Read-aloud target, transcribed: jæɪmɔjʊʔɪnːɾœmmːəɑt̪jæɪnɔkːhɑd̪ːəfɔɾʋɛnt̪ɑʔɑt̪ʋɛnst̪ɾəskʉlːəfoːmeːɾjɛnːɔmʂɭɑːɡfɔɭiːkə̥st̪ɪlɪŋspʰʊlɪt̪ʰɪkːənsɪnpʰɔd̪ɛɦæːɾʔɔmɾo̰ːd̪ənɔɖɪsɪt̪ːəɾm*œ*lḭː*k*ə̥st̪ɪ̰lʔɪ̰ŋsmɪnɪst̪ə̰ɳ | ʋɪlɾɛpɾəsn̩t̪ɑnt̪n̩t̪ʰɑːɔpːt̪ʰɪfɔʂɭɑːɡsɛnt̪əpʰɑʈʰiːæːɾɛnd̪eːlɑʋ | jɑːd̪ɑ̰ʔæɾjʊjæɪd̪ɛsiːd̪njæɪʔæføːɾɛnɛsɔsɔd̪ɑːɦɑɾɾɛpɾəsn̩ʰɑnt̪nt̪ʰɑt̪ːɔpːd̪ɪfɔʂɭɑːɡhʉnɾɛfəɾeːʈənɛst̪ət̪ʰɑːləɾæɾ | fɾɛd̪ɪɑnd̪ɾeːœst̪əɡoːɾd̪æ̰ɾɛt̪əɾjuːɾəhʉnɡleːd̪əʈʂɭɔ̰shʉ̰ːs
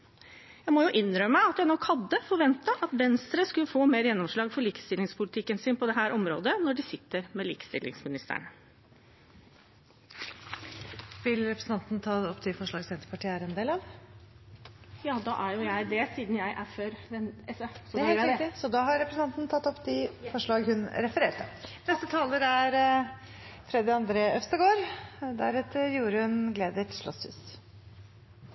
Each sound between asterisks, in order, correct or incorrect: incorrect: ɛ, correct

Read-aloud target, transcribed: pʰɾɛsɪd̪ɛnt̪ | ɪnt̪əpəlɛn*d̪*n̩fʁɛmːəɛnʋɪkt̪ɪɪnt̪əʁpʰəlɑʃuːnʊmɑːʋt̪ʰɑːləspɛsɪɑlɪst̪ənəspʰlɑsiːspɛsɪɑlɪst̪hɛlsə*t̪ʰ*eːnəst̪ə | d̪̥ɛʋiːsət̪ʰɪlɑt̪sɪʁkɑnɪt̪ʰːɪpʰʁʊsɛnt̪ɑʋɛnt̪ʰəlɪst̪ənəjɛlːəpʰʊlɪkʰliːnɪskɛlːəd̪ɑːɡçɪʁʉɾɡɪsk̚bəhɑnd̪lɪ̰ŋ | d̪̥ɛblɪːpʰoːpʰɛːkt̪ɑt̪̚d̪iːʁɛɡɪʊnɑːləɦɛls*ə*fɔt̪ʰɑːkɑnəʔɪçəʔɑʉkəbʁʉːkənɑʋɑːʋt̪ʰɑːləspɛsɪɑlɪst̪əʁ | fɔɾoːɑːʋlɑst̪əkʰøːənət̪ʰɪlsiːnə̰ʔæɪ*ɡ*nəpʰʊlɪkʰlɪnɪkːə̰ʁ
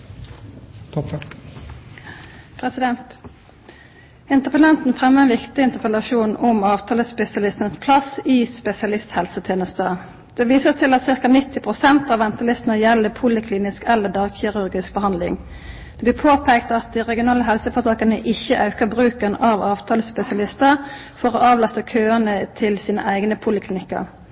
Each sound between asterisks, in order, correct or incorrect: incorrect: t̪, correct, correct, correct

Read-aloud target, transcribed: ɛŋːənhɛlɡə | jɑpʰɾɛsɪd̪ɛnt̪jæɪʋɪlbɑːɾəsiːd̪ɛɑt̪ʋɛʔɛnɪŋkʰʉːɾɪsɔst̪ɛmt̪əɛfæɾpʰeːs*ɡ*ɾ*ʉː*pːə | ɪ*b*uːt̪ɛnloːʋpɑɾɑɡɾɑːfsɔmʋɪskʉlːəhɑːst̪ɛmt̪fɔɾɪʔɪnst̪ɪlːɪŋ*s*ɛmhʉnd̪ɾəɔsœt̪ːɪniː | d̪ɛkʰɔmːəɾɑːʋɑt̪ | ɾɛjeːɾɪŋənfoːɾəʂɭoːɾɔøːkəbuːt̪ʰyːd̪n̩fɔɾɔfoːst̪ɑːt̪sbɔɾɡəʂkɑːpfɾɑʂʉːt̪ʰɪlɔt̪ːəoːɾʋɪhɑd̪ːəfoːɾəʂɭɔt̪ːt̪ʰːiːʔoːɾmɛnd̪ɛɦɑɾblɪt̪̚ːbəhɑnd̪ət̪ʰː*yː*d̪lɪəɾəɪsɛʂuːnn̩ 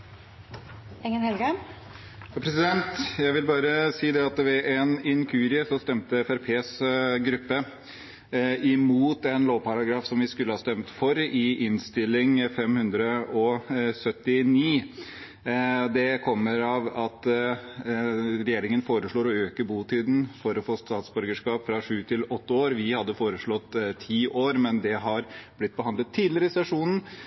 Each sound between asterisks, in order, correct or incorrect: correct, incorrect: ʉ, incorrect: m, incorrect: f, incorrect: iː

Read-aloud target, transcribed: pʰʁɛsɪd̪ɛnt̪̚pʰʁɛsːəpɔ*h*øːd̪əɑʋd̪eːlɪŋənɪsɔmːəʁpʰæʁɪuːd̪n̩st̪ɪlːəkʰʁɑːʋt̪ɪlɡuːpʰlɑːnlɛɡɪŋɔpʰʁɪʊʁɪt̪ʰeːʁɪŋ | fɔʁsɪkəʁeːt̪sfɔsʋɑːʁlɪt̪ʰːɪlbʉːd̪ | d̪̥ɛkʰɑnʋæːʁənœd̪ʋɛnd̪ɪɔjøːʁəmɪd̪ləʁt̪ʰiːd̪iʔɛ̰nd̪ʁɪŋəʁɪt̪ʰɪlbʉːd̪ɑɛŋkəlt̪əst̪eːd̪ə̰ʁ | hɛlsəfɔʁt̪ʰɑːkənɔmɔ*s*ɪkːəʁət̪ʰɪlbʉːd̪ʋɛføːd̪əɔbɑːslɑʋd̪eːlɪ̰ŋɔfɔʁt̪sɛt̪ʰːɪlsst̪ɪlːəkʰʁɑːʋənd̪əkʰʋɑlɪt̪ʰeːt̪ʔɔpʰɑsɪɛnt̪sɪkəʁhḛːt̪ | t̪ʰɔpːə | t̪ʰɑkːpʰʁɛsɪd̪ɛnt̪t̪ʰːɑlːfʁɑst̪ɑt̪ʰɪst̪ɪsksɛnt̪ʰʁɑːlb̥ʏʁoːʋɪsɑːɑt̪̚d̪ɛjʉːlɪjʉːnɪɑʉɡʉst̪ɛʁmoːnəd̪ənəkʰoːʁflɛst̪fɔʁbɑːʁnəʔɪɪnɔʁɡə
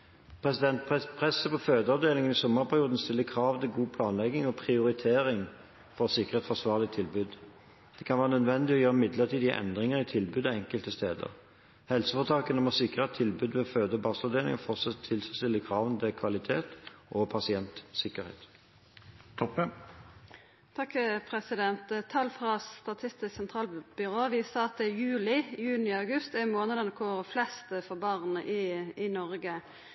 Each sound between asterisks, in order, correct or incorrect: incorrect: f, correct

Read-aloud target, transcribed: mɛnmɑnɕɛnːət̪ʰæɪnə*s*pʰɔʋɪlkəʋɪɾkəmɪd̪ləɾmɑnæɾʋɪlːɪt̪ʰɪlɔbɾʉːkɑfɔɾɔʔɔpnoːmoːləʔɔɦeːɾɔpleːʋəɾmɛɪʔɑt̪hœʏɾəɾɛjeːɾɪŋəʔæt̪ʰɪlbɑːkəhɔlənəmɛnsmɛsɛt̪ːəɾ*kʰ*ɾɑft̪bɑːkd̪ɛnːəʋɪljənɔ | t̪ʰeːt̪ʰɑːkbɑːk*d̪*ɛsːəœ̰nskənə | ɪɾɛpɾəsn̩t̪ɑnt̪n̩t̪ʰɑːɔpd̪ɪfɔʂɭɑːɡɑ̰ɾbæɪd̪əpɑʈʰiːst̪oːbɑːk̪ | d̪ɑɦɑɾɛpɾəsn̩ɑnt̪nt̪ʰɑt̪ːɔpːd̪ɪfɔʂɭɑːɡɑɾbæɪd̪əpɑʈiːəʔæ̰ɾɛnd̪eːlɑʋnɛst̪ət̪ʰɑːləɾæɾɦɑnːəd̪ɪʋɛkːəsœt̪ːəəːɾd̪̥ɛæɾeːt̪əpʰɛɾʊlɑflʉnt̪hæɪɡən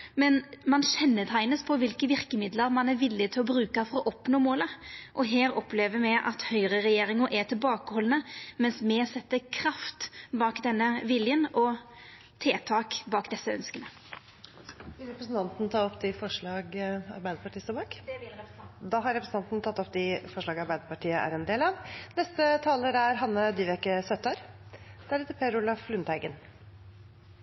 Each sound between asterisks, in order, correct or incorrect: correct, correct, correct

